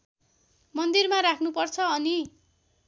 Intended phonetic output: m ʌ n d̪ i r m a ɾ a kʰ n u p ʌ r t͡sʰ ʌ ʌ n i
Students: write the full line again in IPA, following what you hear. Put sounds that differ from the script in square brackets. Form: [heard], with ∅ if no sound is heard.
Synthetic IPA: m ʌ n d̪ i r m a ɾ a kʰ n u p ʌ r t͡sʰ ʌ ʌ n i